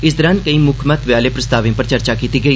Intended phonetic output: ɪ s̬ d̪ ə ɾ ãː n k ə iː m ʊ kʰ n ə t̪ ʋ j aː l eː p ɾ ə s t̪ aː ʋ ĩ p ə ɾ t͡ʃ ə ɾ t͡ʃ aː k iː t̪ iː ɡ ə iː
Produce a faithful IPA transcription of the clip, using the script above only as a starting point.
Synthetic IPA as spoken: ɪ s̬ d̪ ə ɾ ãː n k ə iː m ʊ kʰ m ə t̪ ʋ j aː l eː p ɾ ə s t̪ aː ʋ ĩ p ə ɾ t͡ʃ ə ɾ t͡ʃ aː k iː t̪ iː ɡ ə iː